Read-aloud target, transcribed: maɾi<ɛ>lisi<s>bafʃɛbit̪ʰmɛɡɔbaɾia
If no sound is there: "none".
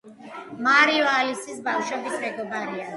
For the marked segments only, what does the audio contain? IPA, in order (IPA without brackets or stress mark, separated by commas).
a, s